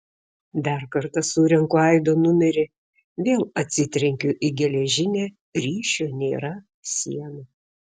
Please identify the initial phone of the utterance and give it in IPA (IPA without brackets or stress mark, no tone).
d̪